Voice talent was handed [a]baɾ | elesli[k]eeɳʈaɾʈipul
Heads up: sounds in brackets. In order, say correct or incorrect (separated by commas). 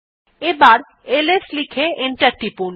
incorrect, incorrect